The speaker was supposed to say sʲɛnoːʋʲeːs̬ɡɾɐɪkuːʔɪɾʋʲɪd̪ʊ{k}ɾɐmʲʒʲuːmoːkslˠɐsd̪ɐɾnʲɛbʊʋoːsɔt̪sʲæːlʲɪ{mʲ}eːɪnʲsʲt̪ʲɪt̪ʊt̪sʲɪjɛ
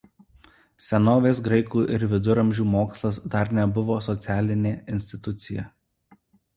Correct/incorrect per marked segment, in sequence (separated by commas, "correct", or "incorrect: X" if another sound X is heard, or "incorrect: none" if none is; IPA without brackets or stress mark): incorrect: none, incorrect: nʲ